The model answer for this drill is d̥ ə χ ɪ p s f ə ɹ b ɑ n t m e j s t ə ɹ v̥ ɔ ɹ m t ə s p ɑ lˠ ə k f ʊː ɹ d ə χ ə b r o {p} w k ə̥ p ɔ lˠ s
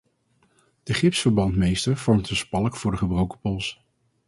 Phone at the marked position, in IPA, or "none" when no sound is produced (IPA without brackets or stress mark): none